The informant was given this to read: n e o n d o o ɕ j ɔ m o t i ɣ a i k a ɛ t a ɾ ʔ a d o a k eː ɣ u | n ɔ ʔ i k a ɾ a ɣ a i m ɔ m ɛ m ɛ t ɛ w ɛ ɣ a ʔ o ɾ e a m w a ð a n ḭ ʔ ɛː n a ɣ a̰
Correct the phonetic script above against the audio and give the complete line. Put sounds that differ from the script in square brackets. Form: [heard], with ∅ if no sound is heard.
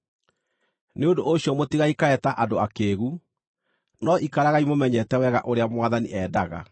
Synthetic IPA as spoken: n e o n d o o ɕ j ɔ m o t i ɣ a i k a ɛ t a [∅] ʔ a d o a k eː ɣ u | n ɔ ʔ i k a ɾ a ɣ a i m [o] m ɛ [ɲ] ɛ t ɛ w ɛ ɣ a ʔ o ɾ e a m w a ð a n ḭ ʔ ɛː [d] a ɣ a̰